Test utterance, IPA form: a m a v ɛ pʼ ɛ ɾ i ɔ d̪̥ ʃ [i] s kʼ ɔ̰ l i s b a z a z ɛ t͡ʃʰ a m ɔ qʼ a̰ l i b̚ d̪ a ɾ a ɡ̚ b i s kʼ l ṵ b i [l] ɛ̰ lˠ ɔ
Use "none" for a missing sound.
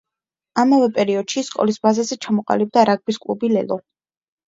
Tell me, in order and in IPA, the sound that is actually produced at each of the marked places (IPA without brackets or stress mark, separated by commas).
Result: i, l